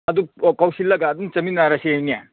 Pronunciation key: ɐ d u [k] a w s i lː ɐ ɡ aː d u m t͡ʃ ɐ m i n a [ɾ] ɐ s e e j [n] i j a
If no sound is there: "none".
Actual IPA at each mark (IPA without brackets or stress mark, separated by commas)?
k, ɾ, n